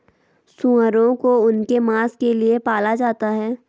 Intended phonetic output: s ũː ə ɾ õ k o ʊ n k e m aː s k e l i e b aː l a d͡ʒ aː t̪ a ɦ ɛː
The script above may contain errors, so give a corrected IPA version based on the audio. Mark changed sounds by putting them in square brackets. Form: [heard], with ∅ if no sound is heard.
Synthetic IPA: s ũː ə ɾ õ k o ʊ n k e m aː s k e l i e [p] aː l a d͡ʒ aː t̪ a ɦ ɛː